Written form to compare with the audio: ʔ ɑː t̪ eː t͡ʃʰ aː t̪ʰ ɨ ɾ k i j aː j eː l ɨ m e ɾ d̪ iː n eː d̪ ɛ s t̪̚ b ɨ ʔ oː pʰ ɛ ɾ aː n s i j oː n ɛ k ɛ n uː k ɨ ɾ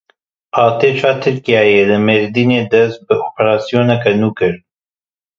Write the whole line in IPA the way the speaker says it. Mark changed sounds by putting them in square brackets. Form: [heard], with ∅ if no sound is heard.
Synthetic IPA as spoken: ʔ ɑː t̪ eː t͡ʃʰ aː t̪ʰ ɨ ɾ k i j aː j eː l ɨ m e ɾ d̪ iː n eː d̪ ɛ s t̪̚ b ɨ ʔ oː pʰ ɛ ɾ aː [∅] s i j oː n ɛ k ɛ n uː k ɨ ɾ